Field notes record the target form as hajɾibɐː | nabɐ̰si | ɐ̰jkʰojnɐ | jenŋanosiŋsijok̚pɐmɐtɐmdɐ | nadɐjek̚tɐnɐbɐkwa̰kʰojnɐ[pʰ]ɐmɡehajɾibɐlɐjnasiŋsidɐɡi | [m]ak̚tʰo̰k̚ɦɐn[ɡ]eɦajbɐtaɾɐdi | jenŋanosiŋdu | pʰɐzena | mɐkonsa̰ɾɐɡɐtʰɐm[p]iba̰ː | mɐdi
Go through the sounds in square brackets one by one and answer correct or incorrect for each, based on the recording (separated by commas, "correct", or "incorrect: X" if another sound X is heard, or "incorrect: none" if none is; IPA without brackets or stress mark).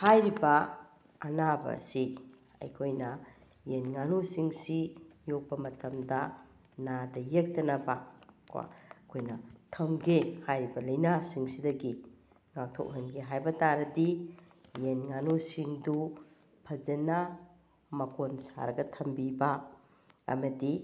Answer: incorrect: tʰ, incorrect: ŋ, correct, incorrect: b